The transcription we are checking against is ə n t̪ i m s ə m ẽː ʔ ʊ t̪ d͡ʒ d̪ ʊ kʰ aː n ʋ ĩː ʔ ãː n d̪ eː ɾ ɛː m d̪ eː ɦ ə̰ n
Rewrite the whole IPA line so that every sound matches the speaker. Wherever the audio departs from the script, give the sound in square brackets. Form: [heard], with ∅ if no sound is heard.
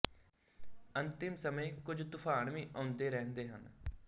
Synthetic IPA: ə n t̪ [ɪ] m s ə m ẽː [k] ʊ [∅] d͡ʒ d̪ ʊ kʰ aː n ʋ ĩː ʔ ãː n d̪ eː ɾ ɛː [n] d̪ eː ɦ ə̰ n